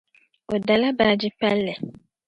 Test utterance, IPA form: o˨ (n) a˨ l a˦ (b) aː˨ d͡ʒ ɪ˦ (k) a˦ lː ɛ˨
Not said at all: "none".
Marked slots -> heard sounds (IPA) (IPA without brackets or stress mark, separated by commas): d, b, p